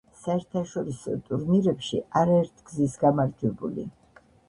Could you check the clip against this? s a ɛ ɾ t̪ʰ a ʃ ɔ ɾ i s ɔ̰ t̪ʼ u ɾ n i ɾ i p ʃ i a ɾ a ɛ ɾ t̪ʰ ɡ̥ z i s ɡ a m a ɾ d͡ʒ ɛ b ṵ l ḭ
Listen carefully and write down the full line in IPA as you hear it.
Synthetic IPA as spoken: s a ɛ ɾ t̪ʰ a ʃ ɔ ɾ i s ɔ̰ t̪ʼ u ɾ n i ɾ ɛ p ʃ i a ɾ a ɛ ɾ t̪ʰ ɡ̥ z i s ɡ a m a ɾ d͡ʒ ɛ b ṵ l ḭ